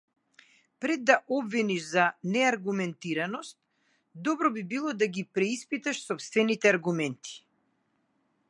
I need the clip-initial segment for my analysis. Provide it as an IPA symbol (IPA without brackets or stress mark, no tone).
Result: p